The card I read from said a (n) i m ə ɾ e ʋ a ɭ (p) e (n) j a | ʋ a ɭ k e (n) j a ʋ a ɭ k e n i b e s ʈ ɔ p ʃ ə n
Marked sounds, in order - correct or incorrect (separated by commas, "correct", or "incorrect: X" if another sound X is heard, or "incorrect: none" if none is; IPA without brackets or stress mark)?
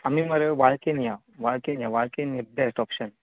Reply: incorrect: m, incorrect: k, correct, correct